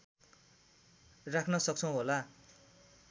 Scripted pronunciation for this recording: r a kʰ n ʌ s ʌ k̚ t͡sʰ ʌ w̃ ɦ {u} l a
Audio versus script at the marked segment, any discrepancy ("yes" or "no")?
yes